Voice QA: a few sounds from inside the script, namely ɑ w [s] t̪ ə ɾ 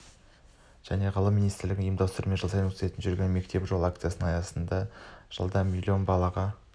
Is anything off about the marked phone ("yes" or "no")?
no